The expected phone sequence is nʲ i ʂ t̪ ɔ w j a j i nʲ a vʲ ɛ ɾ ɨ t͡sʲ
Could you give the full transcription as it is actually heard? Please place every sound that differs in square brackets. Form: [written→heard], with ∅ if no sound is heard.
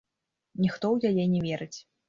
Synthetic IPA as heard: nʲ i [ʂ→x] t̪ ɔ w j a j [i→ɛ] nʲ [a→ɛ] vʲ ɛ ɾ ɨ t͡sʲ